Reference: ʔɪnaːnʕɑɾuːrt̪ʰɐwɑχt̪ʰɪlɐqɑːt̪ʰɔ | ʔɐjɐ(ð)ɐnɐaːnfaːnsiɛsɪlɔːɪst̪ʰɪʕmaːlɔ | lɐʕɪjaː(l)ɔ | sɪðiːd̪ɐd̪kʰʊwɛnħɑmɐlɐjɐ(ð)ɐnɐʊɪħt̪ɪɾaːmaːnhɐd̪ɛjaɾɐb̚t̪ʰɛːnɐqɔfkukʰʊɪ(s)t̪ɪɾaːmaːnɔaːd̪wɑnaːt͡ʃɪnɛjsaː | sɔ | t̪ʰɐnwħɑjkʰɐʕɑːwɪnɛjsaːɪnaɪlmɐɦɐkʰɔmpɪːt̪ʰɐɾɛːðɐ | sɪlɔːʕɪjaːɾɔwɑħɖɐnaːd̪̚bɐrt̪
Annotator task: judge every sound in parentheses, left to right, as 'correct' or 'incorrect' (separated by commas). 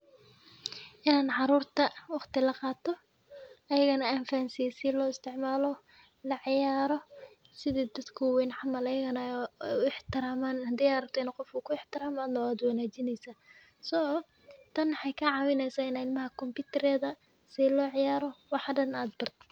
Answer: incorrect, incorrect, incorrect, incorrect